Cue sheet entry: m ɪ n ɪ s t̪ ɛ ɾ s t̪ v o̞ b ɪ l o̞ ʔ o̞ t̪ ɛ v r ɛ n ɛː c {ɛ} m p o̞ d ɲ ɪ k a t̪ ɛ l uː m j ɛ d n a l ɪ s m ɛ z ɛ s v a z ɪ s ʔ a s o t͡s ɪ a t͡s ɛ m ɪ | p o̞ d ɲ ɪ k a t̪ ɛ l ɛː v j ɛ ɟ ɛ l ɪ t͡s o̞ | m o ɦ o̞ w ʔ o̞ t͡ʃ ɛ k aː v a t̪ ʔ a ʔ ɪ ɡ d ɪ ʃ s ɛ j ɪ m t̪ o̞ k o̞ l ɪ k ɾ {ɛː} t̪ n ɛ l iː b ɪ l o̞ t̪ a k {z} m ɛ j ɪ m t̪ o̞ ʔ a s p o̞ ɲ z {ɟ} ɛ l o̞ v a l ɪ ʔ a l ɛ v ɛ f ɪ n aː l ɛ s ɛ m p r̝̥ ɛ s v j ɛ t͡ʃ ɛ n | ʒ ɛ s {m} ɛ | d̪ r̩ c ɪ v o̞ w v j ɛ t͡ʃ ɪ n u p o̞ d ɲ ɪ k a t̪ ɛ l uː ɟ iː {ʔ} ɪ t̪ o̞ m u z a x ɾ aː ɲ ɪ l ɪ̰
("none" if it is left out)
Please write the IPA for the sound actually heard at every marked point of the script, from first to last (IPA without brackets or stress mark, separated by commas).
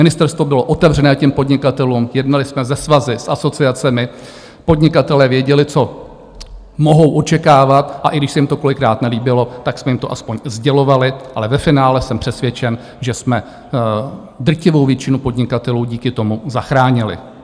ɛ, aː, s, ɟ, m, k